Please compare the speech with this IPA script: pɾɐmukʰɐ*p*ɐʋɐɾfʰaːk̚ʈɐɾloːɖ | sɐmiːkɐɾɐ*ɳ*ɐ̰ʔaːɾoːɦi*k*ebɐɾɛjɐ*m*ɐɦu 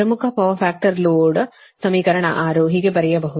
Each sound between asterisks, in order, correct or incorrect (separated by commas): correct, correct, incorrect, incorrect